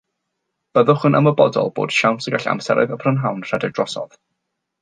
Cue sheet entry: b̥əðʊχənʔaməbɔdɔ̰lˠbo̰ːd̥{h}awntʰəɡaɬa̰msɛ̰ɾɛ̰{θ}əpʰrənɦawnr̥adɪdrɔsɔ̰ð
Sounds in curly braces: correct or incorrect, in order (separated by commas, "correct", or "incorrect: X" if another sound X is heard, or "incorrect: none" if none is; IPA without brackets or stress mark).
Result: incorrect: ʃ, incorrect: ð